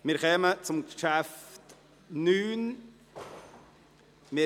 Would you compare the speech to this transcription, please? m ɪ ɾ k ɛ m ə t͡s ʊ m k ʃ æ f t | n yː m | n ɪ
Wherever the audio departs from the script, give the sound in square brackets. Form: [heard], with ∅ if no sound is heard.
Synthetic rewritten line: m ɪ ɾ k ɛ m ə t͡s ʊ m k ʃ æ f t | n yː [n] | [m] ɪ